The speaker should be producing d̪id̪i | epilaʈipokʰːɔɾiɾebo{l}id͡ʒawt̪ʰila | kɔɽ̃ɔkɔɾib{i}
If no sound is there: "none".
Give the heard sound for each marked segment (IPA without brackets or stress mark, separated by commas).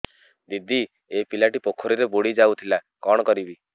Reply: ɽ, i